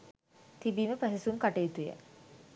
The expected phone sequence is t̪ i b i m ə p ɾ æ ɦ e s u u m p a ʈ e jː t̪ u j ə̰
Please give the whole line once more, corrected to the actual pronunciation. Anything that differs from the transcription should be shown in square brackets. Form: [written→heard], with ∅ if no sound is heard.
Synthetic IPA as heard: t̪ i b [i→iː] m ə p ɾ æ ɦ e s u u m [p→k] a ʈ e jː t̪ u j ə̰